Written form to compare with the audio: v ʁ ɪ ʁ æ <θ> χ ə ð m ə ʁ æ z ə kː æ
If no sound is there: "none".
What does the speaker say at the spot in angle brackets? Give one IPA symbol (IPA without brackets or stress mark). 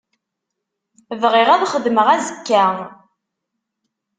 ð